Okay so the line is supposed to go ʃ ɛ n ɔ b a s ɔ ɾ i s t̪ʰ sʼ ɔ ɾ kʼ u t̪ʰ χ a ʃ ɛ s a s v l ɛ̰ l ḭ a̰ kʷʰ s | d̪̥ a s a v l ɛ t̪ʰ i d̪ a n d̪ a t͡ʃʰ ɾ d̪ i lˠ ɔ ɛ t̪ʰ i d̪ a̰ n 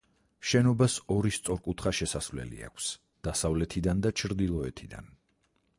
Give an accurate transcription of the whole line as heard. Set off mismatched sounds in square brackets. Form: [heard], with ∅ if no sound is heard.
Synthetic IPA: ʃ ɛ n ɔ b a s ɔ ɾ i s [t̪] sʼ ɔ ɾ kʼ u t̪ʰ χ a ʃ ɛ s a s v l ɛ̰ l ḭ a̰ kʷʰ s | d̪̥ a s a v l ɛ t̪ʰ i d̪ a n d̪ a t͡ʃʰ ɾ d̪ i lˠ ɔ ɛ t̪ʰ i d̪ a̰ n